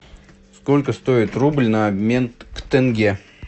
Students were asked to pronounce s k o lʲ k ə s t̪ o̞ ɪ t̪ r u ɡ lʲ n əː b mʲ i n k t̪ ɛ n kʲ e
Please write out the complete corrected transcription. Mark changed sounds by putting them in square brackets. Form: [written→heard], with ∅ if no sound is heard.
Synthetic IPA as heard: s k o lʲ k ə s t̪ o̞ ɪ t̪ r u [ɡ→b] lʲ n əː b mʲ [i→e] n k t̪ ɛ n [kʲ→ɡʲ] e